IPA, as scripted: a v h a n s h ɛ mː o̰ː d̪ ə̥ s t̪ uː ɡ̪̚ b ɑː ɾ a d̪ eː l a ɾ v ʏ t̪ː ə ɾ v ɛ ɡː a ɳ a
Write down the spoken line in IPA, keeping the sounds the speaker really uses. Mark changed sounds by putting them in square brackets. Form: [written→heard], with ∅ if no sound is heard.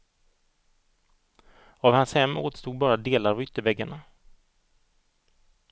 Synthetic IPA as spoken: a v h a n s h ɛ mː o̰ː [d̪→t̪] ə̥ s t̪ uː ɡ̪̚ b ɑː ɾ a d̪ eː l a ɾ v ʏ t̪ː ə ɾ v ɛ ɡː a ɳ a